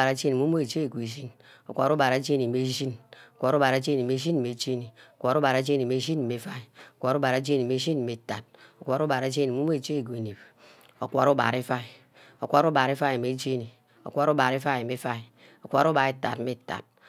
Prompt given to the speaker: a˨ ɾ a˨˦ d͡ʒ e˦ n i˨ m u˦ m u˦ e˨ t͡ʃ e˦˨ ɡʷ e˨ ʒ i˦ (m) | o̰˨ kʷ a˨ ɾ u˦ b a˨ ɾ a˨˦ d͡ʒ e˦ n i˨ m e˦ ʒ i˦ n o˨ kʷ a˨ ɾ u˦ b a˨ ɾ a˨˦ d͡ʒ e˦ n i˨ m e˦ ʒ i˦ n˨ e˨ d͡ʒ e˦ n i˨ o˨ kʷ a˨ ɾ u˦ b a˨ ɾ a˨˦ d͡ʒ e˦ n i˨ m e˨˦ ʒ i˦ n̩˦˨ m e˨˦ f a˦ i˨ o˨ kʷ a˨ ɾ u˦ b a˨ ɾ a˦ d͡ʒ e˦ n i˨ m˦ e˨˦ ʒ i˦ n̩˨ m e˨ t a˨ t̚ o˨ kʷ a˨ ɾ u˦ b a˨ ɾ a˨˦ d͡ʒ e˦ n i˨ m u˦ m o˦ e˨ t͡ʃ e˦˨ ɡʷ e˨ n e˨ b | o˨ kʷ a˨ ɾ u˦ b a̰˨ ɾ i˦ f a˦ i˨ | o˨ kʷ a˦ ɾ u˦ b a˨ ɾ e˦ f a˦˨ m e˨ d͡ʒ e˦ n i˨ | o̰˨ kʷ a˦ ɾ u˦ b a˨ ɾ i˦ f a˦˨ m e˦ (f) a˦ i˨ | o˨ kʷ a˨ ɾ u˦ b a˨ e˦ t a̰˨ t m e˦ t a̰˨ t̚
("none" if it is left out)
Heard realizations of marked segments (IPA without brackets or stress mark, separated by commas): n, f